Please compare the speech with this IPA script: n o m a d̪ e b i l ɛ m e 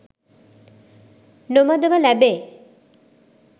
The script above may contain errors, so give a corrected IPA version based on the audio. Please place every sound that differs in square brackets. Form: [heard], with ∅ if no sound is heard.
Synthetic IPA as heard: n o m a d̪ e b [a] l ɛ [b] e

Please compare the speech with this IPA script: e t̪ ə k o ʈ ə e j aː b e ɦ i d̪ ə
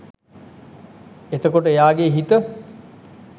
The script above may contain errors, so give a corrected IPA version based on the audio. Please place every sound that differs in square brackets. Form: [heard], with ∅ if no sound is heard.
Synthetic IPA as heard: e t̪ ə k o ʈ ə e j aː [ɡ] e ɦ i [t̪] ə

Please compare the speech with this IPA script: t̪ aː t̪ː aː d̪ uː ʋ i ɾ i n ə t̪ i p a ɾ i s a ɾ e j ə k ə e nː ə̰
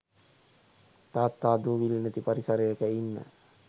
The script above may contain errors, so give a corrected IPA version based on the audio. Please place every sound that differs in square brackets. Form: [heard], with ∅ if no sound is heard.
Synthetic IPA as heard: t̪ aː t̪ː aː d̪ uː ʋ i [l] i n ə t̪ i p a ɾ i s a ɾ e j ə k ə [i] nː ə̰

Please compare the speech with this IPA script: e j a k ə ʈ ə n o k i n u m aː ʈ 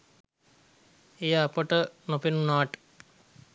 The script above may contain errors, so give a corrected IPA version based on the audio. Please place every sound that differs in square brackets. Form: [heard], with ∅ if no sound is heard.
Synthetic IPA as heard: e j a [p] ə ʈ ə n o [p] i n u [n] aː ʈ

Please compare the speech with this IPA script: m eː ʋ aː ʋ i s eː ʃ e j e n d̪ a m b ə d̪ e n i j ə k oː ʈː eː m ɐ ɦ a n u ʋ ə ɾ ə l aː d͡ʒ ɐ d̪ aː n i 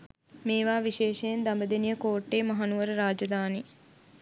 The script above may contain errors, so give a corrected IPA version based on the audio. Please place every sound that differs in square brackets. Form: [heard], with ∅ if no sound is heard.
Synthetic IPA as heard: m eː ʋ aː ʋ i [ʃ] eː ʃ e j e n d̪ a m b ə d̪ e n i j ə k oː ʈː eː m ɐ ɦ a n u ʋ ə ɾ ə [ɾ] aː d͡ʒ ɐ d̪ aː n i

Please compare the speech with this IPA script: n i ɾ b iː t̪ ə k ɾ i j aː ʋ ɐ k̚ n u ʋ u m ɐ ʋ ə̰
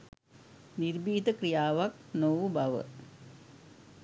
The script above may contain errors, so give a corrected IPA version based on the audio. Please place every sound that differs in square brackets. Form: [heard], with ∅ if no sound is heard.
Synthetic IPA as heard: n i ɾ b iː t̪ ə k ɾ i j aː ʋ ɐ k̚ n [o] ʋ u [b] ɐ ʋ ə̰

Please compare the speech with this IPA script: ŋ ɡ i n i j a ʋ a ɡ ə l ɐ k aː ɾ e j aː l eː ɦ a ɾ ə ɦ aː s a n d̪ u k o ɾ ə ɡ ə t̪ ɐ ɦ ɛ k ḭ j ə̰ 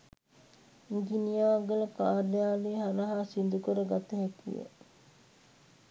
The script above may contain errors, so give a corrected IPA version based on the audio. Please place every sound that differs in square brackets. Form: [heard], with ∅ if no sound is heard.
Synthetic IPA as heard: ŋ ɡ i n i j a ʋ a ɡ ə l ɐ k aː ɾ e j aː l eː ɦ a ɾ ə ɦ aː s [i] n d̪ u k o ɾ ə ɡ [a] t̪ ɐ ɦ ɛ k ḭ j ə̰

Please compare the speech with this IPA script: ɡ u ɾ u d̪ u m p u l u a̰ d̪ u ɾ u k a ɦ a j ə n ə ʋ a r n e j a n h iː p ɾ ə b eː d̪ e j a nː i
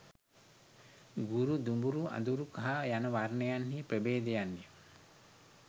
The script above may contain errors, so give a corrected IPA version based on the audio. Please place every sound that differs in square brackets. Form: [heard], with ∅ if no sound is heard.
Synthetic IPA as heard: ɡ u ɾ u d̪ u m [b] u [ɾ] u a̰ d̪ u ɾ u k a ɦ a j [a] n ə ʋ a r n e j a n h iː p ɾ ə b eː d̪ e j a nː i

